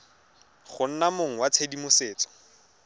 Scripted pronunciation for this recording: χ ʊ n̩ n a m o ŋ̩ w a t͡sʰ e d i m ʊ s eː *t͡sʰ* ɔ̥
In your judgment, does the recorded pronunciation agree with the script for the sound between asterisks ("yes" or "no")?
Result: no